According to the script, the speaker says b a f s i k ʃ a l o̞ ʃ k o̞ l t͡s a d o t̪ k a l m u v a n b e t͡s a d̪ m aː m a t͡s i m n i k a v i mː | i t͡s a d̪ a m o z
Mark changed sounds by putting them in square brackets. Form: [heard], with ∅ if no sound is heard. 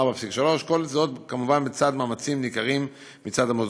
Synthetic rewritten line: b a f s i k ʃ a l o̞ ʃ k o̞ l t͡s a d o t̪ k a [∅] m u v a n b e t͡s a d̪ m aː m a t͡s i m n i k a [ʁ] i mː | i t͡s a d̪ a m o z